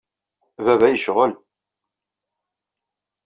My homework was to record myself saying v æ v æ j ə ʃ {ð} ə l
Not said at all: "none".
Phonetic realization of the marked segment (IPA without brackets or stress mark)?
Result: ʁ